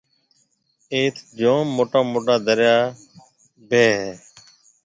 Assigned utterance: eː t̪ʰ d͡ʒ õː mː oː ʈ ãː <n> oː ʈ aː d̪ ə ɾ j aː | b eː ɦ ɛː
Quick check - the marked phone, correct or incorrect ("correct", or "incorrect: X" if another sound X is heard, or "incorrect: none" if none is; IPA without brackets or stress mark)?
incorrect: m